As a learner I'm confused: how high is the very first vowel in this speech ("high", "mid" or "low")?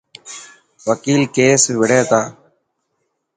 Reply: mid